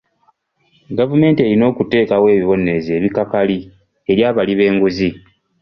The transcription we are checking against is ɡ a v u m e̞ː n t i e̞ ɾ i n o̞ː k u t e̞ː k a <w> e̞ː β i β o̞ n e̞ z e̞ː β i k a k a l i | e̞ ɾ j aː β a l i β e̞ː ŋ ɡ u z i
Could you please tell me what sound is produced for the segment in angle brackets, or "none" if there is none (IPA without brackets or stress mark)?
w